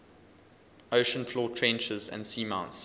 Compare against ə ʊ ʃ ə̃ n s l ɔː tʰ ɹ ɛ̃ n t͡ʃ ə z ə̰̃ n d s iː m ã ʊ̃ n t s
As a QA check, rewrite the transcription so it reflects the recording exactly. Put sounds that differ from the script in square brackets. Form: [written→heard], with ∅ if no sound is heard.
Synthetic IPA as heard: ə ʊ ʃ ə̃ n [s→f] l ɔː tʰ ɹ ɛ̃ n t͡ʃ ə z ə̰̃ n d s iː m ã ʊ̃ n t s